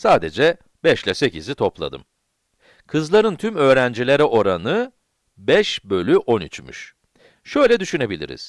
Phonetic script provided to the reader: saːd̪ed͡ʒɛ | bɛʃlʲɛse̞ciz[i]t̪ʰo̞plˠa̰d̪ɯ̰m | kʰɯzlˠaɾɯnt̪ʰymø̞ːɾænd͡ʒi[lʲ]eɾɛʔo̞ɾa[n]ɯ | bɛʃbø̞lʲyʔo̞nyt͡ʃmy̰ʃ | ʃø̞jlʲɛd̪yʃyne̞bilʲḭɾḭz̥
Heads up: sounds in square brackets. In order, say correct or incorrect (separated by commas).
correct, correct, correct